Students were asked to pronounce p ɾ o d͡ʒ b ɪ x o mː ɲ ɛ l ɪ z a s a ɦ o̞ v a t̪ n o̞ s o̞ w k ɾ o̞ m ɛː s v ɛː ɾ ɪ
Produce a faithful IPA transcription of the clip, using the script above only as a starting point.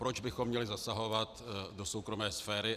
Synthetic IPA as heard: p ɾ o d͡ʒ b ɪ x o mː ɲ ɛ l ɪ z a s a ɦ o̞ v a t̪ d o̞ s o̞ w k ɾ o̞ m ɛː s f ɛː ɾ ɪ